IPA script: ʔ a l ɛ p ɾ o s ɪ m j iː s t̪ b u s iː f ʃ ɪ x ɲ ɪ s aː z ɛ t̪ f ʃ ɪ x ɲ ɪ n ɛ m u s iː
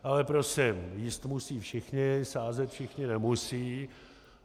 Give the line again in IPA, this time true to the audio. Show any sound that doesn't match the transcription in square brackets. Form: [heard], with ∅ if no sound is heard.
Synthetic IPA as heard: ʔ a l ɛ p ɾ o s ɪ m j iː s t̪ [m] u s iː f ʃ ɪ x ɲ ɪ s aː z ɛ t̪ f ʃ ɪ x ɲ ɪ n ɛ m u s iː